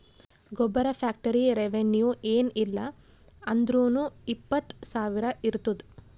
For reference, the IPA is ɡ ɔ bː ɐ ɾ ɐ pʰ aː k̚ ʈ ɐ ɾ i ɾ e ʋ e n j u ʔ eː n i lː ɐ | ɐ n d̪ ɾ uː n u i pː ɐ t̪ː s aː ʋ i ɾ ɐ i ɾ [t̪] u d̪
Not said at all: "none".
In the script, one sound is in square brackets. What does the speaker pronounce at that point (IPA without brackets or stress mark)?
t̪